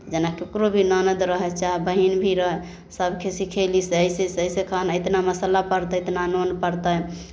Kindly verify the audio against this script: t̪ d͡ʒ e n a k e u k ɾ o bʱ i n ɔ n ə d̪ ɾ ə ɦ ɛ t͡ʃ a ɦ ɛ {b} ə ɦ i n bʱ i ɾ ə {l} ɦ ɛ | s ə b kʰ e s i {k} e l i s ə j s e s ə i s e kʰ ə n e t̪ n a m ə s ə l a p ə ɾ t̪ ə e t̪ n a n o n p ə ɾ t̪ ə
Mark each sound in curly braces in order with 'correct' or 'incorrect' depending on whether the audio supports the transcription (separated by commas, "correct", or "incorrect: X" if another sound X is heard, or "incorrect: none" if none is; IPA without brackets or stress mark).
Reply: correct, incorrect: none, incorrect: kʰ